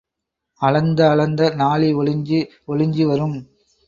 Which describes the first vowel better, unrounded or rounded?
unrounded